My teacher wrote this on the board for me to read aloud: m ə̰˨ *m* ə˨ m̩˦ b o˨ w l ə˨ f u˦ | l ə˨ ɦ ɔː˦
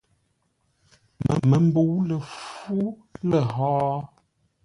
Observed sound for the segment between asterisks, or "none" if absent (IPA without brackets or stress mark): m